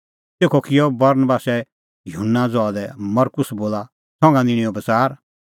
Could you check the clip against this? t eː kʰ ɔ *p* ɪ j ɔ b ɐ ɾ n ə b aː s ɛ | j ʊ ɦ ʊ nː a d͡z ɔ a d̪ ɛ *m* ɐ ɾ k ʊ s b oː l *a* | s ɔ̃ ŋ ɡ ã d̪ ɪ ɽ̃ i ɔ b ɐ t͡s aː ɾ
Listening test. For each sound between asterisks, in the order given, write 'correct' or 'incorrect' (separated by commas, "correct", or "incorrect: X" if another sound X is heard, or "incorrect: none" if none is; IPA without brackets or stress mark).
incorrect: k, correct, correct